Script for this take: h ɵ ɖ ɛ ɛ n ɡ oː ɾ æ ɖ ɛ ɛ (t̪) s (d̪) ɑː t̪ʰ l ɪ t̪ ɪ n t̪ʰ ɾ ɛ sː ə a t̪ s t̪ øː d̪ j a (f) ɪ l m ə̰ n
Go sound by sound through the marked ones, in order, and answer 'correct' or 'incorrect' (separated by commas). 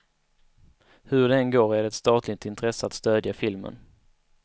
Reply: correct, incorrect, correct